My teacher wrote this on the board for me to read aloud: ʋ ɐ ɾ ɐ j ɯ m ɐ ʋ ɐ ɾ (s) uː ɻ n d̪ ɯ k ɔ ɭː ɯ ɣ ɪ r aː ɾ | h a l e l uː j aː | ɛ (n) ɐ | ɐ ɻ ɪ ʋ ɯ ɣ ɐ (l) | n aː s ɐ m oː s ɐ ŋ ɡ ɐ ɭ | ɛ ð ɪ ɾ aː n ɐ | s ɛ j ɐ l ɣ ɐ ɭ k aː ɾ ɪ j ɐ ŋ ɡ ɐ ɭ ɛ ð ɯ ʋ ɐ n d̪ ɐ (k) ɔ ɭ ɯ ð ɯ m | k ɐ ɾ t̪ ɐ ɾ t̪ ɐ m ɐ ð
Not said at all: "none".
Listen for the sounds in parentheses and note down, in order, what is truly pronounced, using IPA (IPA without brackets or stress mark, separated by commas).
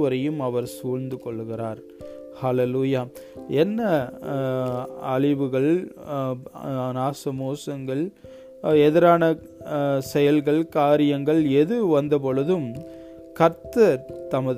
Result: s, nː, ɭ, p